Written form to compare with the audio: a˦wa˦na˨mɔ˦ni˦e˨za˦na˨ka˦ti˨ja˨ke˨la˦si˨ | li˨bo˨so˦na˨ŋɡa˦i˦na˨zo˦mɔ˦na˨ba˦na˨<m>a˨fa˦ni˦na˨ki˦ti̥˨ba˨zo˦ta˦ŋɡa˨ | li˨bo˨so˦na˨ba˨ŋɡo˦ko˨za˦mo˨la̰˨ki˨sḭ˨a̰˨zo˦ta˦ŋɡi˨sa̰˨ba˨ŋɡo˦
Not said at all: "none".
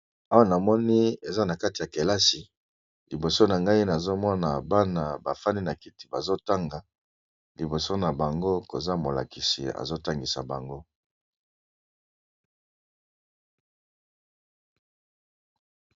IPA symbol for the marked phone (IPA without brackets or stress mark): b